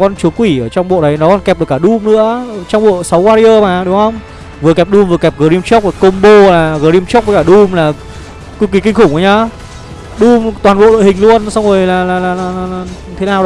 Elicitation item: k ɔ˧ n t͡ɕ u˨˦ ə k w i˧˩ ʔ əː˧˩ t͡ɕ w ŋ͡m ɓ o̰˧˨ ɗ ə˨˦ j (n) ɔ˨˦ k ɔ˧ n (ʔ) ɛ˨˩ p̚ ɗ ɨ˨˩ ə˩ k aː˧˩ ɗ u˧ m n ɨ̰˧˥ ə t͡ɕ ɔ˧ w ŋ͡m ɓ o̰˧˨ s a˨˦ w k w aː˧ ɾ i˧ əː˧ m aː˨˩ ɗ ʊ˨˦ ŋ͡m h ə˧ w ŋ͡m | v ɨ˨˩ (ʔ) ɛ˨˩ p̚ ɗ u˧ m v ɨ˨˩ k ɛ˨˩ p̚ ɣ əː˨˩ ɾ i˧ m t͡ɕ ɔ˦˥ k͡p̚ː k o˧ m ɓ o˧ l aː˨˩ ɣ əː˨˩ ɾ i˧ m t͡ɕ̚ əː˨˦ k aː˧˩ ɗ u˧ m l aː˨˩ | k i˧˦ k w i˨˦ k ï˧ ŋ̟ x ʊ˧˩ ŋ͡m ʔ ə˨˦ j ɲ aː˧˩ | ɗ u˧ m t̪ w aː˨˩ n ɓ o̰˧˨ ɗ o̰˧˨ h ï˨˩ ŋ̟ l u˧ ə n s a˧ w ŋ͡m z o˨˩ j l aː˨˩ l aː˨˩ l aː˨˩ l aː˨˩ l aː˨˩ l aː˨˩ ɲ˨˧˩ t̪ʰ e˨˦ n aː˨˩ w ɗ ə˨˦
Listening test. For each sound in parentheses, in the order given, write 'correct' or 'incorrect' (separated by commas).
correct, incorrect, incorrect